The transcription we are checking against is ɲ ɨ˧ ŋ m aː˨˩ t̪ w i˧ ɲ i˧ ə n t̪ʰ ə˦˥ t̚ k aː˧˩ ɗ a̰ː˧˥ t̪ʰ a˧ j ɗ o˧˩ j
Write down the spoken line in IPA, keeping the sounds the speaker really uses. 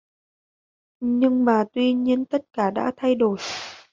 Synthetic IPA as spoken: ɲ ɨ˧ ŋ m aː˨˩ t̪ w i˧ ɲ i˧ ə n t̪ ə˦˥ t̚ k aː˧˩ ɗ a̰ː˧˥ t̪ʰ a˧ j ɗ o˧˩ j